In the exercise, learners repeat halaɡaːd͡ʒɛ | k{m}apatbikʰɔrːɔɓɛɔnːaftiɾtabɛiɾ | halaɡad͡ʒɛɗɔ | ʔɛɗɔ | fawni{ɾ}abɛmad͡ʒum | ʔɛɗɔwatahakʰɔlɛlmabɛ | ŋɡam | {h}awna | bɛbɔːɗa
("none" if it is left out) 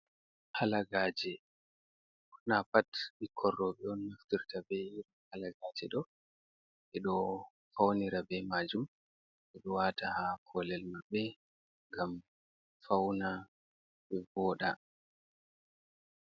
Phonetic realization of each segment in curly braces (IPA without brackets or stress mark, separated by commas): n, ɾ, f